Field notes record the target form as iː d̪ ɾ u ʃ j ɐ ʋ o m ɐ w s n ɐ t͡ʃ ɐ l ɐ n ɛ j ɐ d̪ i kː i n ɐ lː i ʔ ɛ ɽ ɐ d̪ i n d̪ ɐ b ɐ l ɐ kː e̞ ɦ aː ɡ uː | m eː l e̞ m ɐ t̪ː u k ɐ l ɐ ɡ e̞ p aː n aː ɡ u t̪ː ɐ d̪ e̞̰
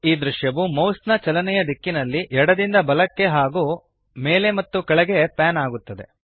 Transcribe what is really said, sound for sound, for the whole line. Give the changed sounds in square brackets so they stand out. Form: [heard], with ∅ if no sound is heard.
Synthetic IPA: iː d̪ ɾ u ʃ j ɐ ʋ [u] m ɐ w s n ɐ t͡ʃ ɐ l ɐ n ɛ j ɐ d̪ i kː i n ɐ lː i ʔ ɛ ɽ ɐ d̪ i n d̪ ɐ b ɐ l ɐ kː e̞ ɦ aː ɡ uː | m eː l e̞ m ɐ t̪ː u k ɐ [ɭ] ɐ ɡ e̞ p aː n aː ɡ u t̪ː ɐ d̪ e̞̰